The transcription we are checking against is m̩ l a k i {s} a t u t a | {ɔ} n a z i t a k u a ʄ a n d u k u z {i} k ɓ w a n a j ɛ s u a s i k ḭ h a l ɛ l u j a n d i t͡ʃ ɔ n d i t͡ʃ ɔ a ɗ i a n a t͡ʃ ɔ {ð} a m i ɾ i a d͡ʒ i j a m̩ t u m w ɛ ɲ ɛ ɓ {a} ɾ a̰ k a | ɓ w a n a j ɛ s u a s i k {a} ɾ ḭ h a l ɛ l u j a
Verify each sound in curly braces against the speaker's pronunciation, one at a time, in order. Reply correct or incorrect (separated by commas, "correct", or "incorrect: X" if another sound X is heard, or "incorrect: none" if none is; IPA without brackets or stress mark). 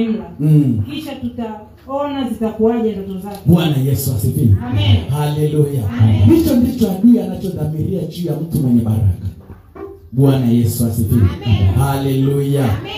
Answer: incorrect: ʃ, correct, incorrect: a, correct, correct, incorrect: i